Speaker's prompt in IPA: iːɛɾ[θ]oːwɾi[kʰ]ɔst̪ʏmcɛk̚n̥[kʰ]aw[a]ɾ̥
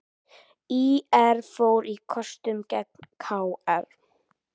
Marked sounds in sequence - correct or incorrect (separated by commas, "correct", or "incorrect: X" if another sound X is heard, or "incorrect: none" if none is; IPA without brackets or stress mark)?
incorrect: f, correct, correct, incorrect: ɛ